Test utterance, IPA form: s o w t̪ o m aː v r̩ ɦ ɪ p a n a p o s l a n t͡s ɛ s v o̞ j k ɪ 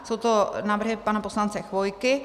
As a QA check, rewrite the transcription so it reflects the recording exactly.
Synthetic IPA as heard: s o w t̪ o n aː v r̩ ɦ ɪ p a n a p o s l a n t͡s ɛ x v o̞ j k ɪ